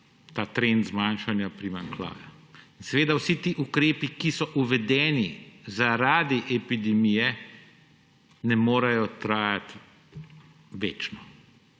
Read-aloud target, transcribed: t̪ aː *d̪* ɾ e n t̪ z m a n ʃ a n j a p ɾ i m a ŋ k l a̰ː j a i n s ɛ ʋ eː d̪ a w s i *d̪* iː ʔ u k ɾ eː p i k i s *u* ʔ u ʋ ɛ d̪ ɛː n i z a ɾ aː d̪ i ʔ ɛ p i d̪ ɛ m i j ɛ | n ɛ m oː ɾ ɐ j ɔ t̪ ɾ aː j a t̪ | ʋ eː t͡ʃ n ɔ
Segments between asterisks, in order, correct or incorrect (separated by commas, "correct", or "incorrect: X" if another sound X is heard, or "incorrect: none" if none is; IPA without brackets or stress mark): incorrect: t̪, incorrect: t̪, incorrect: ɔ